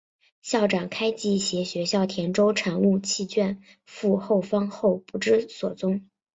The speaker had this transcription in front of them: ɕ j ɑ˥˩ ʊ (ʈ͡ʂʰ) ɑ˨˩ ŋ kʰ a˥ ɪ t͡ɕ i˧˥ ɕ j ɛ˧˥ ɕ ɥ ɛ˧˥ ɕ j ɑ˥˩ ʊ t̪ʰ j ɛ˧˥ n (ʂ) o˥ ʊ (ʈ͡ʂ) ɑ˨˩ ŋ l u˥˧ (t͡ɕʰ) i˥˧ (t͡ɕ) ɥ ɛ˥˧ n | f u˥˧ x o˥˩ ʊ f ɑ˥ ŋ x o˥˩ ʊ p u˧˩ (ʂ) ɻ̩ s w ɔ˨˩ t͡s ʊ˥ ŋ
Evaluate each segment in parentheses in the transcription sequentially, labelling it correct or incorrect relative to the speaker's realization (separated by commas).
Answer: incorrect, incorrect, incorrect, correct, correct, incorrect